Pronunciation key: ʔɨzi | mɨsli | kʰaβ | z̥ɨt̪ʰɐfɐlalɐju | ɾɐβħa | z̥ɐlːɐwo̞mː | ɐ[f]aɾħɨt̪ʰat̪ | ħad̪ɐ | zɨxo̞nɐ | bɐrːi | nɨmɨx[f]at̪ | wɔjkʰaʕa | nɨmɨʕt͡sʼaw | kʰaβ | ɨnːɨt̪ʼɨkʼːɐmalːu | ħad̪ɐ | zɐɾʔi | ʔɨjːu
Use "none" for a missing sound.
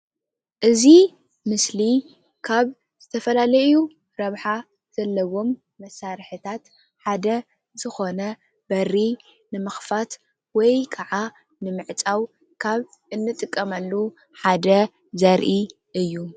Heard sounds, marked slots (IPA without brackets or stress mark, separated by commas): s, f